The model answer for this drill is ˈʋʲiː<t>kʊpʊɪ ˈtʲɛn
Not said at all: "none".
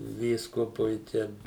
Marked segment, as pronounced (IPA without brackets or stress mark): s